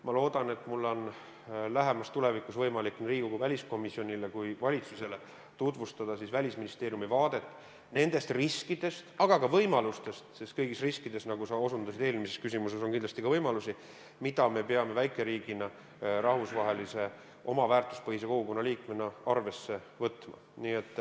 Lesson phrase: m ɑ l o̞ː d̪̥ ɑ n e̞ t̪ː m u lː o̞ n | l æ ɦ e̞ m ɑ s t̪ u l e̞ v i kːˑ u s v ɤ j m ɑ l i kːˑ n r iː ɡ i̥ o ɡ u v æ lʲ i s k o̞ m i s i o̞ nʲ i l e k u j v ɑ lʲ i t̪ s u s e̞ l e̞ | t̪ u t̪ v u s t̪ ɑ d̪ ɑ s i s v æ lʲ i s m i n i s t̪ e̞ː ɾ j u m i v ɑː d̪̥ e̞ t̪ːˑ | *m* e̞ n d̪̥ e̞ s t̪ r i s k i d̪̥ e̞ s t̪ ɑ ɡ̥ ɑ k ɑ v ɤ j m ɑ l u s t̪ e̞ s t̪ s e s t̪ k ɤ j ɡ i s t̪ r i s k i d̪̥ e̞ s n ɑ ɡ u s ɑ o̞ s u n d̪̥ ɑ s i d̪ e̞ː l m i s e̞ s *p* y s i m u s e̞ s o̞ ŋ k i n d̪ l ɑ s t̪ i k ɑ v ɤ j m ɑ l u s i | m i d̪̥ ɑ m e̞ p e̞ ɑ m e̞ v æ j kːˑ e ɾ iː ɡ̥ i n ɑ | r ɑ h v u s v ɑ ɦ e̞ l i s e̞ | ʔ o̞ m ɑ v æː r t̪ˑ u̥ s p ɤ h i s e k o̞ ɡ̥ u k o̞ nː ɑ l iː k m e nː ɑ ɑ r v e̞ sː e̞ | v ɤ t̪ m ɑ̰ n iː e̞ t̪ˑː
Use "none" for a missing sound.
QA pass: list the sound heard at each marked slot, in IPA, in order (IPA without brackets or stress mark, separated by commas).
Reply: n, k